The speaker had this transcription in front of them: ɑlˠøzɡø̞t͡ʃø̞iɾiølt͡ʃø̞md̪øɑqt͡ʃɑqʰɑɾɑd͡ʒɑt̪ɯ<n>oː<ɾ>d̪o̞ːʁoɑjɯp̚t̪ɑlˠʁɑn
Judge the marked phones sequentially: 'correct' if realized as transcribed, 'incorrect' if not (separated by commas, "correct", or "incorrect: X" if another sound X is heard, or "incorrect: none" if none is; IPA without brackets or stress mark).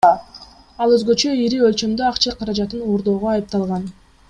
correct, correct